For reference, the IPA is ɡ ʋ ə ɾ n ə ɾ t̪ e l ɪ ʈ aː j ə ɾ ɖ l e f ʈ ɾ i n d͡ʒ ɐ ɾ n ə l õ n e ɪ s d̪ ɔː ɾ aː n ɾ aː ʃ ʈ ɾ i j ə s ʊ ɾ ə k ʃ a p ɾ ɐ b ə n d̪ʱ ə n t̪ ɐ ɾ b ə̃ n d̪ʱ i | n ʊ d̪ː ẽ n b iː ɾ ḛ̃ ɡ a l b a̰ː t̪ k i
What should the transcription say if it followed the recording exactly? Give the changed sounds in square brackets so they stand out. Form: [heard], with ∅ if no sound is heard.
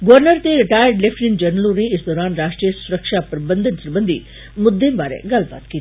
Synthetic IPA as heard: ɡ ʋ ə ɾ n ə ɾ t̪ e [ɾ] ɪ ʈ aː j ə ɾ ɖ l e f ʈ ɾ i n d͡ʒ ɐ ɾ n ə l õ n e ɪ s d̪ ɔː ɾ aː n ɾ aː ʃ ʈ ɾ i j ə s ʊ ɾ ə k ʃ a p ɾ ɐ b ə n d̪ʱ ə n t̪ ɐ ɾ b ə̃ n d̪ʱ i | [m] ʊ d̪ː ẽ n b [aː] ɾ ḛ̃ ɡ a l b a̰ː t̪ k i